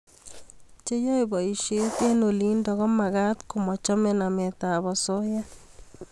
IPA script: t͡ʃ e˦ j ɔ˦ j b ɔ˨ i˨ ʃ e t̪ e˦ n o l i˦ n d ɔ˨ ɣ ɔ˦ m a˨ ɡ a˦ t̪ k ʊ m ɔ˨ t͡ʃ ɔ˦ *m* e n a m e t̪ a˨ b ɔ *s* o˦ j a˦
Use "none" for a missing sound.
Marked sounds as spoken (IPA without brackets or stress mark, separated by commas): m, s